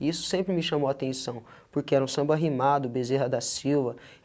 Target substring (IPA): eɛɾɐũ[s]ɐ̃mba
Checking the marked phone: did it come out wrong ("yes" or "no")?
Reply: no